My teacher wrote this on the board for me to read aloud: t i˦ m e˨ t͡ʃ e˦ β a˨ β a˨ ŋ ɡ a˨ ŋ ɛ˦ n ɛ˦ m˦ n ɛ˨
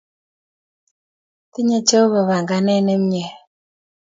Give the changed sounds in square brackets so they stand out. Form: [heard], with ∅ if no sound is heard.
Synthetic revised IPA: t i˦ [ɲ] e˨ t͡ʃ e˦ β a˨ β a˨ ŋ ɡ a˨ [n] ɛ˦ n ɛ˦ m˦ [ɲ] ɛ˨